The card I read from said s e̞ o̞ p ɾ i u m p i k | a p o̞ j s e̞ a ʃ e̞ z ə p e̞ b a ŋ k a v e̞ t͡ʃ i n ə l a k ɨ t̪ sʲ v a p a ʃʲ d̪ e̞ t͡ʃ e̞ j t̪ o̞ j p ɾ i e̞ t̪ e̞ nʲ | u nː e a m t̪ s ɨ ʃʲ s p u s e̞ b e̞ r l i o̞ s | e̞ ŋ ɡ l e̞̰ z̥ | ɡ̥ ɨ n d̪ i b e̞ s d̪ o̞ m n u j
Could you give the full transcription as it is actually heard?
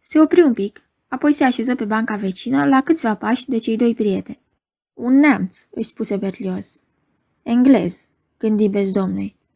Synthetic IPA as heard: s e̞ o̞ p ɾ i u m p i k | a p o̞ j s e̞ a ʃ e̞ z ə p e̞ b a ŋ k a v e̞ t͡ʃ i n ə l a k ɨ t̪ sʲ v a p a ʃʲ d̪ e̞ t͡ʃ e̞ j d̪ o̞ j p ɾ i e̞ t̪ e̞ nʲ | u nː e a m t̪ s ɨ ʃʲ s p u s e̞ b e̞ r l i o̞ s | e̞ ŋ ɡ l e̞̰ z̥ | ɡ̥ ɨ n d̪ i b e̞ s d̪ o̞ m n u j